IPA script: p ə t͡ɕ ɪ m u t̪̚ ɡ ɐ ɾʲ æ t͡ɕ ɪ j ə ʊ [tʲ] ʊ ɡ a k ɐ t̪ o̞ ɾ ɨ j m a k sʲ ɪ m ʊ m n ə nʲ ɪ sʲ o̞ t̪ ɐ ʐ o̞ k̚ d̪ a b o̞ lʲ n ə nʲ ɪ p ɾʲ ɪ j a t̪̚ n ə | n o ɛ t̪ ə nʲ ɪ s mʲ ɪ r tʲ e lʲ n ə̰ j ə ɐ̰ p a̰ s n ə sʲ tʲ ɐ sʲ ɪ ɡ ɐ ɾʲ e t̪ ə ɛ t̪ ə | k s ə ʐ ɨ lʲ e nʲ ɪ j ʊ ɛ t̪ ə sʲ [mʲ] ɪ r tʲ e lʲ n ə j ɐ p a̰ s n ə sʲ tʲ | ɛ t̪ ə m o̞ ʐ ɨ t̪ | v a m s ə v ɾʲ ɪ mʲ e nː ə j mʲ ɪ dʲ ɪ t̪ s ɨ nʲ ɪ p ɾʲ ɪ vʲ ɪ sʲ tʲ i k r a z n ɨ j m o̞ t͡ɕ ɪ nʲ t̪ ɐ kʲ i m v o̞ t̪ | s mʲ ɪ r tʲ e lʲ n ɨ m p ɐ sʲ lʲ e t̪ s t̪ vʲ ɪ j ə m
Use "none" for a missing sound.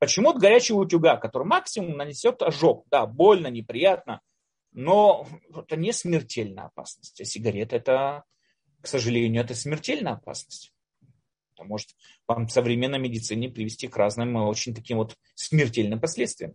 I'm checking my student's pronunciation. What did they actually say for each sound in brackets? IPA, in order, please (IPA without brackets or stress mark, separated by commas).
tʲ, mʲ